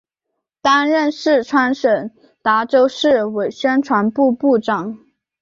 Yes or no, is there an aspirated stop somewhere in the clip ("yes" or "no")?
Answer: yes